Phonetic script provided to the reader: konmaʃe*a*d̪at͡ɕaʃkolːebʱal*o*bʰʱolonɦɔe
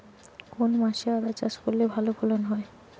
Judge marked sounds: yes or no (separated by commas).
yes, yes